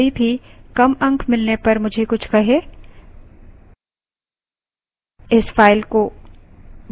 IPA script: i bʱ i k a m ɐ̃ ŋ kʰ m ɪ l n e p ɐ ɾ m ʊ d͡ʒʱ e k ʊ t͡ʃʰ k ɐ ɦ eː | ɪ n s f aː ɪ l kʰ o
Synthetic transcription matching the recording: i bʱ i k ɐ m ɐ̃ ŋ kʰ m ɪ l n e p ɐ ɾ m ʊ d͡ʒʱ e k ʊ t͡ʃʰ k ɐ ɦ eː | ɪ s f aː ɪ l k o